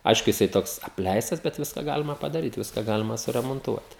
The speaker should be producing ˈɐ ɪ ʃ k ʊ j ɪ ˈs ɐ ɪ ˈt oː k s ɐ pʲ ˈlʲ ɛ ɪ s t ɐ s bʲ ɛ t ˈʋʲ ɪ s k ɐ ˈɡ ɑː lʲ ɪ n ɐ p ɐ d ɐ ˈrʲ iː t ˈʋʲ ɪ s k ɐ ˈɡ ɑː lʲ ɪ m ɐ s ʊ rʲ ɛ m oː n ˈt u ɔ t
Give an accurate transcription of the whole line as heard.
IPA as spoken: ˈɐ ɪ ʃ k ʊ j ɪ ˈs ɐ ɪ ˈt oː k s ɐ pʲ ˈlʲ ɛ ɪ s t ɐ s bʲ ɛ t ˈʋʲ ɪ s k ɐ ˈɡ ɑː lʲ ɪ m ɐ p ɐ d ɐ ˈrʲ iː t ˈʋʲ ɪ s k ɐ ˈɡ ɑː lʲ ɪ m ɐ s ʊ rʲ ɛ m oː n ˈt u ɔ t